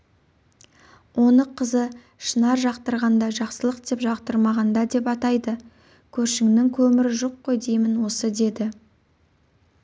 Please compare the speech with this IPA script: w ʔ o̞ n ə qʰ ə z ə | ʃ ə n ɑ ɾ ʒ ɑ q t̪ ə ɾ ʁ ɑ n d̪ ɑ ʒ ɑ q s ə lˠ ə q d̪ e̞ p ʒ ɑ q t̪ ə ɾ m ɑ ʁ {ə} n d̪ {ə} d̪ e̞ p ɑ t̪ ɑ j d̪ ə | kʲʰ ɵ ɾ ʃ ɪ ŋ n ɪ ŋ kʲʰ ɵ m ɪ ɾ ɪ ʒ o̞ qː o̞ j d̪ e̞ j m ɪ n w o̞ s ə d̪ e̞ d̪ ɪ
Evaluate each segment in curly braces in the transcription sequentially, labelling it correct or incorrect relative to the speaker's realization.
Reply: incorrect: ɑ, incorrect: ɑ

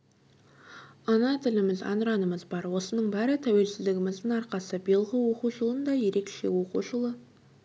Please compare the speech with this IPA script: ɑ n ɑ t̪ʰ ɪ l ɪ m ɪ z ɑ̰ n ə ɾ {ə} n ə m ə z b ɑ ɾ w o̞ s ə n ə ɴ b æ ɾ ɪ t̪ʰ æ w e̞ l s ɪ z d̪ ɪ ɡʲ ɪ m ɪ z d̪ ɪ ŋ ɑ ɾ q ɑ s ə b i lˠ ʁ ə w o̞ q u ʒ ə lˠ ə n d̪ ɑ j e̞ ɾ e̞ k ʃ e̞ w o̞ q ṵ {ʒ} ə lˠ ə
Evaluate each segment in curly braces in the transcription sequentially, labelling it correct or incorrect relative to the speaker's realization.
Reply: incorrect: ɑ, correct

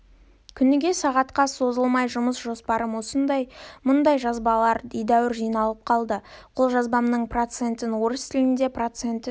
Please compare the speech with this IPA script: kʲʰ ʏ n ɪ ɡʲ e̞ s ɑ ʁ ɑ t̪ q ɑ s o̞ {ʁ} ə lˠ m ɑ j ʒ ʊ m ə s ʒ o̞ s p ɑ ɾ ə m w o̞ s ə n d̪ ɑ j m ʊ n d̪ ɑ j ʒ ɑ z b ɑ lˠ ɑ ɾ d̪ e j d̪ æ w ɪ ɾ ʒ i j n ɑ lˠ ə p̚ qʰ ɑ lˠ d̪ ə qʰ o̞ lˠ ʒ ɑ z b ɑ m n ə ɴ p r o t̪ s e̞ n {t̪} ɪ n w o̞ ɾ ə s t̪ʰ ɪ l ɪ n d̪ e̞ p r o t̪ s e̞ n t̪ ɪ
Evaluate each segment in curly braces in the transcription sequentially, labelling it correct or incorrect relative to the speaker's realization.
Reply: incorrect: z, correct

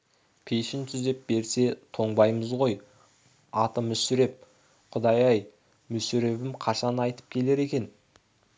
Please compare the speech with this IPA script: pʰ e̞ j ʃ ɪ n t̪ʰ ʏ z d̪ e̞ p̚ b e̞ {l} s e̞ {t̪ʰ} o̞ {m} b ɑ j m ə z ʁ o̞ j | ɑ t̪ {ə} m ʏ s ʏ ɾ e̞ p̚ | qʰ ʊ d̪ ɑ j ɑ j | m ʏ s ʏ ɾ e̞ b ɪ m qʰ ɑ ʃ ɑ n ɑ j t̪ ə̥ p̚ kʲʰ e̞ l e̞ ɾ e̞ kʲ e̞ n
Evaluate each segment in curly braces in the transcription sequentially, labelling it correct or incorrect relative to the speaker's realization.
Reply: incorrect: ɾ, correct, incorrect: ɴ, correct

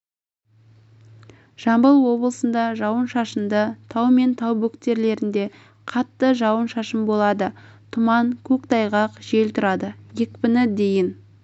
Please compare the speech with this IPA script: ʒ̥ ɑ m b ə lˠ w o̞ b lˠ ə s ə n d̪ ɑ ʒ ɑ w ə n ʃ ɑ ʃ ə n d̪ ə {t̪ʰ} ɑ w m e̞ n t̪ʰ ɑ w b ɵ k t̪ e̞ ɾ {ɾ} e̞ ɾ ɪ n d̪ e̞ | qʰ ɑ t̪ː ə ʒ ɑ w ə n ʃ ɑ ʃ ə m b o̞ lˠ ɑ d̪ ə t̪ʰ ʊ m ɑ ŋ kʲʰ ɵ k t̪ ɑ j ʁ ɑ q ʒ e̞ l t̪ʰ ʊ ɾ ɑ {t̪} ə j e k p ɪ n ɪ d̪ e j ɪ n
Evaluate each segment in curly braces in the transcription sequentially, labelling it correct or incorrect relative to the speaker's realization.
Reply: correct, incorrect: l, incorrect: d̪

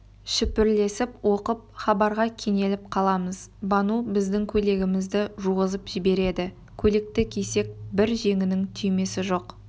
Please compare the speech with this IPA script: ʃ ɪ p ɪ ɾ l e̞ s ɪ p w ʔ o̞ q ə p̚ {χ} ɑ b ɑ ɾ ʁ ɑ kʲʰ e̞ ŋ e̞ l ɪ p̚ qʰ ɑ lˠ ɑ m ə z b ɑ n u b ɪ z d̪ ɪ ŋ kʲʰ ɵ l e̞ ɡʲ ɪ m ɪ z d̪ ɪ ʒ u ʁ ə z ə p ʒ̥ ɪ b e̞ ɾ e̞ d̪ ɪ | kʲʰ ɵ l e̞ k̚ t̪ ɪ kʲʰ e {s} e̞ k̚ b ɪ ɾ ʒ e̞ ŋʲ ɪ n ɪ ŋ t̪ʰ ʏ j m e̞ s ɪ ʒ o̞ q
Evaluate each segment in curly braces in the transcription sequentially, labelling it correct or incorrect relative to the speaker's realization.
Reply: correct, correct

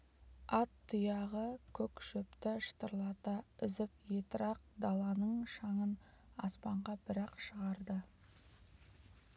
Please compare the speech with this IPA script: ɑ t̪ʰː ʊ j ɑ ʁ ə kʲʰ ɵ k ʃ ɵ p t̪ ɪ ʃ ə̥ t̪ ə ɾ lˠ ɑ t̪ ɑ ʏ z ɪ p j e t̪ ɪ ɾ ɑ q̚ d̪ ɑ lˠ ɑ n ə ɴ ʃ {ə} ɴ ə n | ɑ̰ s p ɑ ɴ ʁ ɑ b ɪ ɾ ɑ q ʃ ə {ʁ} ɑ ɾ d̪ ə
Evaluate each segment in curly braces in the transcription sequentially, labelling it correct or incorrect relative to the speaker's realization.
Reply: incorrect: ɑ, correct

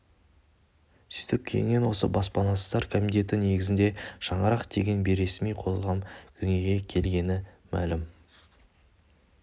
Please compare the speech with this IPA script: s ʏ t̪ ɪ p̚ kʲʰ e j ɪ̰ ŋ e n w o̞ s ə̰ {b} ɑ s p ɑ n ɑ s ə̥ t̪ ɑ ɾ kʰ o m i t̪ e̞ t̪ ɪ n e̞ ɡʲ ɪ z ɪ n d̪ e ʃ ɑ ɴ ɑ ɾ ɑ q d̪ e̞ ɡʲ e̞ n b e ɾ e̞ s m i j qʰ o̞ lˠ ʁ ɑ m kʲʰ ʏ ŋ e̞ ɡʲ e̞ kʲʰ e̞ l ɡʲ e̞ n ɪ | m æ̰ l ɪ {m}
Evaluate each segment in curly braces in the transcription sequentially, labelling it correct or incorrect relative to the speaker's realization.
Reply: correct, correct

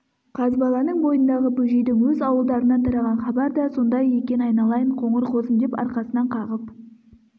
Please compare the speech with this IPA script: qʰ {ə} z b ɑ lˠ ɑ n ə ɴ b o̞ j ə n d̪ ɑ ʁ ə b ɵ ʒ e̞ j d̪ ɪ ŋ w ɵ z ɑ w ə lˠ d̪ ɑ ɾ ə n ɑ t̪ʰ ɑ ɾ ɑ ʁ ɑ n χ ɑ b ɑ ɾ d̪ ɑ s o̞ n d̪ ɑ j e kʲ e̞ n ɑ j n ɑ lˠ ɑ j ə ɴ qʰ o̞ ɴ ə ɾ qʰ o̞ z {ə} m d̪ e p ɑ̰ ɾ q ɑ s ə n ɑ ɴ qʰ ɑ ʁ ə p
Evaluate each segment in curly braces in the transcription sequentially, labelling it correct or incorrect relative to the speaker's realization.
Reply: incorrect: ɑ, correct

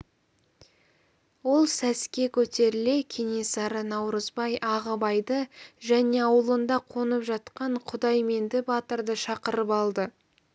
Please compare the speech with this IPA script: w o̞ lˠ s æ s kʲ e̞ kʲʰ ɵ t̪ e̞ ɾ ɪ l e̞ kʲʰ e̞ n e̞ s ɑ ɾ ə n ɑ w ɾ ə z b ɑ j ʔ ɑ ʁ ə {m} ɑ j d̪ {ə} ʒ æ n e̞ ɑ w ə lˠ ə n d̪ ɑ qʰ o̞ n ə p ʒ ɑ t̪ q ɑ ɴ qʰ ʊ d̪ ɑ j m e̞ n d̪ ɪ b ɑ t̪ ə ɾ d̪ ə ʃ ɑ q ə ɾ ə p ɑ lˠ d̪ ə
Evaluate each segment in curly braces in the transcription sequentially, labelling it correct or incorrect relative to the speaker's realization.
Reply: incorrect: b, correct

